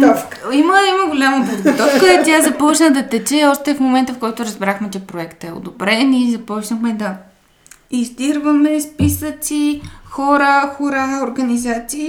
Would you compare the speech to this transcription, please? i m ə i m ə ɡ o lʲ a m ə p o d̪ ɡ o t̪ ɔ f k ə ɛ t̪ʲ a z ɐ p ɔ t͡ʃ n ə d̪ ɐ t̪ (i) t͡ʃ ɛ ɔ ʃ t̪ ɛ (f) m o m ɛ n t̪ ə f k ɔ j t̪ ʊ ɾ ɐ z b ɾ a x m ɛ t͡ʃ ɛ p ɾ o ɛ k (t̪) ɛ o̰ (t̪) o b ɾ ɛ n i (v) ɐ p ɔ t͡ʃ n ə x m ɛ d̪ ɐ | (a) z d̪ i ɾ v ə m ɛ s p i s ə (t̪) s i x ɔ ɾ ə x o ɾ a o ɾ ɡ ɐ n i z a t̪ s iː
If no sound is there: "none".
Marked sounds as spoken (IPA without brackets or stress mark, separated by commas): ɛ, f, t̪, d̪, z, i, t̪